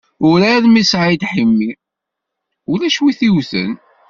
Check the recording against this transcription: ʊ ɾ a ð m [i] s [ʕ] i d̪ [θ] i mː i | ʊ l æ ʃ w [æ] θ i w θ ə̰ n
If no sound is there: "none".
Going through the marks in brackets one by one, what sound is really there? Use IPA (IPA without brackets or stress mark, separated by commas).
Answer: i, ʕ, ħ, i